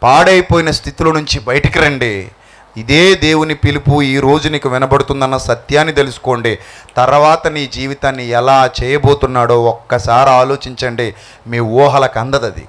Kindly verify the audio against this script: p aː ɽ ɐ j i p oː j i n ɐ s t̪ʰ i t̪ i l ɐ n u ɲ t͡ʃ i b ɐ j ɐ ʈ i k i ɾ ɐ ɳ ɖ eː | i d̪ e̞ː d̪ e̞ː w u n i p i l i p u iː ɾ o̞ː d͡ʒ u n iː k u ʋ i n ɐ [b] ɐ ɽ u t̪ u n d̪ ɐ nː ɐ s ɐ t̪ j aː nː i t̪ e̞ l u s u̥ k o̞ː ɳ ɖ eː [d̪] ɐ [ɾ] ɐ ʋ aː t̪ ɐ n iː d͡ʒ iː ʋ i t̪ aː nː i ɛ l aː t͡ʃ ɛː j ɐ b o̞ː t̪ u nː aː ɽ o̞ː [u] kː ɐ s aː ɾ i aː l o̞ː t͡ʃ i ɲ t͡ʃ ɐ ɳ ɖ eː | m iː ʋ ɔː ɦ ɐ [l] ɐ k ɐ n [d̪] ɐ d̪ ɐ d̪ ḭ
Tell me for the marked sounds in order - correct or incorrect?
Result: correct, incorrect: t̪, correct, incorrect: ɔ, correct, correct

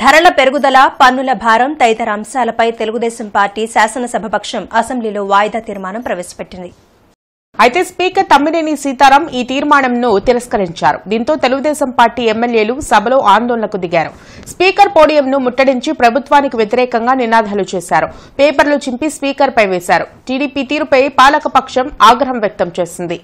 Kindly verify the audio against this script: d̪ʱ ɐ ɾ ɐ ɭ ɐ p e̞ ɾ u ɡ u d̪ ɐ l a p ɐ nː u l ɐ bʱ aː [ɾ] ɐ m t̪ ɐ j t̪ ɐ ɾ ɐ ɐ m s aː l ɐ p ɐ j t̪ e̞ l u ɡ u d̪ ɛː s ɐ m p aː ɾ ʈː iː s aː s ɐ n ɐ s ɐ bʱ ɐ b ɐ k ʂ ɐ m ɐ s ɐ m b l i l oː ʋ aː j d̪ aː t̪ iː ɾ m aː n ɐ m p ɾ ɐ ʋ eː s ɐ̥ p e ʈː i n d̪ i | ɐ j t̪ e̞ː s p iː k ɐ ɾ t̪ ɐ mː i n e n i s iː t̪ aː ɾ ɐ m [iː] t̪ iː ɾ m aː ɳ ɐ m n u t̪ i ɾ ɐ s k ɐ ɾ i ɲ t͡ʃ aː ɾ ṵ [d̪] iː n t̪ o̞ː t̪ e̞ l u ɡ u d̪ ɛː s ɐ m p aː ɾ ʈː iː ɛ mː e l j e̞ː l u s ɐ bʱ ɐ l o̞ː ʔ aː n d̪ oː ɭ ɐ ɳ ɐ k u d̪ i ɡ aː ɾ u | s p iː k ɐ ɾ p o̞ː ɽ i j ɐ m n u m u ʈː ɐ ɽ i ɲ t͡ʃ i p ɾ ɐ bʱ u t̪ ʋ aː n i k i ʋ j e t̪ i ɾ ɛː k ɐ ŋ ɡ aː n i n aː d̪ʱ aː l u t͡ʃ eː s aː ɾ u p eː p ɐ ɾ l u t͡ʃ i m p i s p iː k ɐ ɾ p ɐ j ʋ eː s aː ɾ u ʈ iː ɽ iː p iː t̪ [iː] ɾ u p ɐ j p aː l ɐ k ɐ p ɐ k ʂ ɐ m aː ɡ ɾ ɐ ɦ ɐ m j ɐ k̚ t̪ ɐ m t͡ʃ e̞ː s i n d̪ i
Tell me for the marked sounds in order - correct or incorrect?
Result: correct, correct, correct, correct

